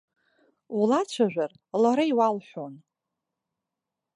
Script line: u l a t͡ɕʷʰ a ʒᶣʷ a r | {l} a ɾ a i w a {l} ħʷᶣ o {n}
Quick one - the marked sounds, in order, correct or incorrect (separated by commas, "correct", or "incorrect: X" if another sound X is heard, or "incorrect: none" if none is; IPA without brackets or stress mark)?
correct, correct, correct